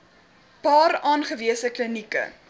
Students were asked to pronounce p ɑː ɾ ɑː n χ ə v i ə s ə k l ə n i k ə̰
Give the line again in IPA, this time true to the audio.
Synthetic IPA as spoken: p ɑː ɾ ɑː n χ ə v i ə s ə k l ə n i k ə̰